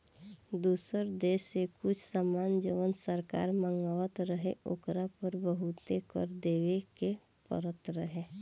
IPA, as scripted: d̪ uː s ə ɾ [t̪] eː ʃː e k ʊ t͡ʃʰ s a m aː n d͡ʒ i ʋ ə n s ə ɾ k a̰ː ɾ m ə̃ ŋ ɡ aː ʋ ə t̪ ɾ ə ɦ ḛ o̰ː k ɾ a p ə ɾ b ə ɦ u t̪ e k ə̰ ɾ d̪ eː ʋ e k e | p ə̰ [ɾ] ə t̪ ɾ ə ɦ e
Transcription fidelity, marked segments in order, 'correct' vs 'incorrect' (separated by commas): incorrect, correct